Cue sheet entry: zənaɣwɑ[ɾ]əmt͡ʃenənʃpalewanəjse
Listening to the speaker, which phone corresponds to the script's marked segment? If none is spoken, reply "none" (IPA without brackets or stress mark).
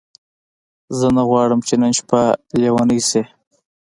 ɽ